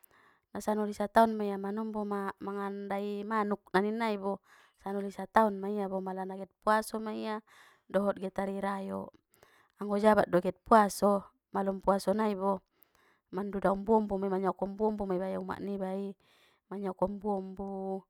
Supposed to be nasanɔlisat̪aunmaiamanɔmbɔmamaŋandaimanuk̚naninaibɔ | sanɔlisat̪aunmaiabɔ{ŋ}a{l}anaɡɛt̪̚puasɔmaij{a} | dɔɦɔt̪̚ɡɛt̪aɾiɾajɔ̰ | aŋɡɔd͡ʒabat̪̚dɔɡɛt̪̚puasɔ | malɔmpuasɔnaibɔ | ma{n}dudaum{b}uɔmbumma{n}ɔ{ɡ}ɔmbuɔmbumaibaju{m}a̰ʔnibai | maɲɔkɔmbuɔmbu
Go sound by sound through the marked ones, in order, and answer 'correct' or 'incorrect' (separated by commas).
incorrect, correct, correct, correct, correct, incorrect, incorrect, correct